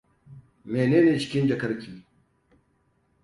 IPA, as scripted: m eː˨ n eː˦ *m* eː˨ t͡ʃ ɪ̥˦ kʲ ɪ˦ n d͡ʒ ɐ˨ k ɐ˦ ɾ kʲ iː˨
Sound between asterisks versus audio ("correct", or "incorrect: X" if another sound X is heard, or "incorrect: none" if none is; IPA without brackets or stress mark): incorrect: n